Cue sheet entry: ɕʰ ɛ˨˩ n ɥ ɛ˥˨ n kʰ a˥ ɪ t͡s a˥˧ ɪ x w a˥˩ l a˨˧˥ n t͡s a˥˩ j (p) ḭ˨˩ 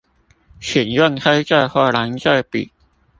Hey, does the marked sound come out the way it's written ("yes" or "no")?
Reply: yes